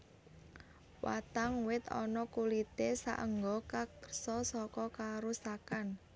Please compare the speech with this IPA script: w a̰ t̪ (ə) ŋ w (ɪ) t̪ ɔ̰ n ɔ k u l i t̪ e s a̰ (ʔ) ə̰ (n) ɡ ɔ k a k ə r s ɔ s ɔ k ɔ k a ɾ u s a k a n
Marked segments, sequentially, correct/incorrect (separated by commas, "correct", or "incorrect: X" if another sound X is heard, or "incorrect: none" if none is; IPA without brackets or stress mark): incorrect: a, correct, correct, incorrect: ŋ